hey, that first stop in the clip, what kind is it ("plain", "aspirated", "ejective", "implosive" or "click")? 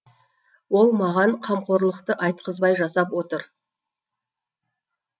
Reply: aspirated